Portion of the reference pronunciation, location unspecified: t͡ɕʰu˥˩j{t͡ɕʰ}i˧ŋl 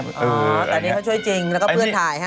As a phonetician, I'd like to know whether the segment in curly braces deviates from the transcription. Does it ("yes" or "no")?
yes